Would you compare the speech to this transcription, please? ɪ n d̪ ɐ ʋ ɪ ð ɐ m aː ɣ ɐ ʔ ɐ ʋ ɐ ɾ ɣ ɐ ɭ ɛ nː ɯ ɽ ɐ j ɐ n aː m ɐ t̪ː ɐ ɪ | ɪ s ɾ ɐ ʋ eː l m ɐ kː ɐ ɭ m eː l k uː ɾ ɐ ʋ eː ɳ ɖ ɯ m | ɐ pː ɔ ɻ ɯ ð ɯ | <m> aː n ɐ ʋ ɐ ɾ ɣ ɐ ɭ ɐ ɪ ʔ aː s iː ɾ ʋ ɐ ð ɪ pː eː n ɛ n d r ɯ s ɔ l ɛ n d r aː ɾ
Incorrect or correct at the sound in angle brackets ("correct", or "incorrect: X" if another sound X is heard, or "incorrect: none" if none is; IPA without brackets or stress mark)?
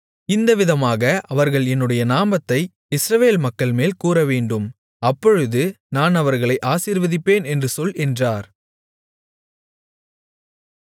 incorrect: n